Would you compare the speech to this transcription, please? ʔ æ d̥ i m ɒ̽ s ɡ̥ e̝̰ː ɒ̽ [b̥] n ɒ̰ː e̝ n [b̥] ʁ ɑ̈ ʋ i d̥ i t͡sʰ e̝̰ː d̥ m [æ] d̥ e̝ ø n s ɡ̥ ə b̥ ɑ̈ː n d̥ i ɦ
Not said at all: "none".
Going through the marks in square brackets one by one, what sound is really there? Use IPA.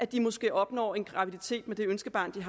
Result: b̥, ɡ̥, e

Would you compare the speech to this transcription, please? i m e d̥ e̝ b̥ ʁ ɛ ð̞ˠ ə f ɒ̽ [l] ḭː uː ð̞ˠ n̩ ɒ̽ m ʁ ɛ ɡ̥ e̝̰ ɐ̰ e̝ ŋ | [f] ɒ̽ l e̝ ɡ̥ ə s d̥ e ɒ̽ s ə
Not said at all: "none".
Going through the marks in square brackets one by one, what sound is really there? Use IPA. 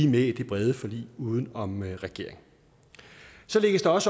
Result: l, s

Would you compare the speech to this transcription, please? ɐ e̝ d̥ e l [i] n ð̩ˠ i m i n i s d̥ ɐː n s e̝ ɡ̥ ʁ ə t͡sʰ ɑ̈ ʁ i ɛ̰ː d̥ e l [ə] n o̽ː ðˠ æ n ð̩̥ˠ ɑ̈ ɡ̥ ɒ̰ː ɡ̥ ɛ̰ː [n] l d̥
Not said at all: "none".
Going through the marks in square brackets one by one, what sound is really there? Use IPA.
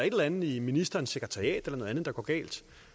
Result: æ, ɐ, none

